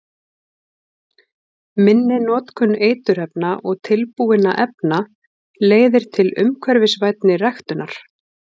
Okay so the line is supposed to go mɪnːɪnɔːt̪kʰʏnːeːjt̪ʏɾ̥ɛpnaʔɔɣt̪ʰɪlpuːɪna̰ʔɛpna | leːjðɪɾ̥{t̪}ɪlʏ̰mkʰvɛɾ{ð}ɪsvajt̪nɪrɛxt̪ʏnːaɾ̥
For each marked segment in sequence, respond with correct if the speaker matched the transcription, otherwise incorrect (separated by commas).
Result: incorrect, incorrect